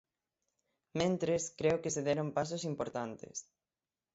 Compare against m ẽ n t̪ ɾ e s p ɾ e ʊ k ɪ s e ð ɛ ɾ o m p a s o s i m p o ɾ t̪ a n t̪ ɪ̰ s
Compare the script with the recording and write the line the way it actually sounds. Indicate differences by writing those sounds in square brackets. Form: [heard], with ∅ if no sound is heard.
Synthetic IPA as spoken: m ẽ n t̪ ɾ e s [k] ɾ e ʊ k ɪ s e ð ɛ ɾ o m p a s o s i m p o ɾ t̪ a n t̪ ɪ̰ s